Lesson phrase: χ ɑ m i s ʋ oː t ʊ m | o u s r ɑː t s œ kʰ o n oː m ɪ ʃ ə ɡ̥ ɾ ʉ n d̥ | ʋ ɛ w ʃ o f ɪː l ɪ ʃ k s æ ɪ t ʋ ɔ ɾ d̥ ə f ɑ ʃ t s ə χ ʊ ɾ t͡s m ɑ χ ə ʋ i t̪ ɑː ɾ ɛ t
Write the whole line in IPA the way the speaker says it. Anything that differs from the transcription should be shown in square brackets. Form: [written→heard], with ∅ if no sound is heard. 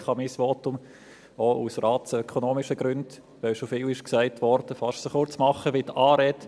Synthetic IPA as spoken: χ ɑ m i s ʋ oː t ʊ m | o u s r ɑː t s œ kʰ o n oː m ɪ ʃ ə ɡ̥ ɾ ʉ n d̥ | ʋ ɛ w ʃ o f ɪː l ɪ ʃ k s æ ɪ t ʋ ɔ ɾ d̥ ə f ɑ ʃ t s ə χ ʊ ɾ t͡s m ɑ χ ə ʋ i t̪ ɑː ɾ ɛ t

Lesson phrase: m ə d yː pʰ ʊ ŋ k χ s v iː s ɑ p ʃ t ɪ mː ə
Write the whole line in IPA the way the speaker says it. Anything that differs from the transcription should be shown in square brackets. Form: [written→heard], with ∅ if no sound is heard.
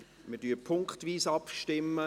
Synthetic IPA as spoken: m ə d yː pʰ ʊ ŋ k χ [s→t] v iː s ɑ p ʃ t ɪ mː ə

